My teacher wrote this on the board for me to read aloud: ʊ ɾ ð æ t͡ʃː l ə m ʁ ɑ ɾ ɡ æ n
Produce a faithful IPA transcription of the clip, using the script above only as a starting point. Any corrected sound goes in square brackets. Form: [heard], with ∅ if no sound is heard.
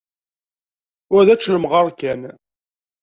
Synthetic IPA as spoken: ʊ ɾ ð æ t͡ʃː l ə m ʁ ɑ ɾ [k] æ n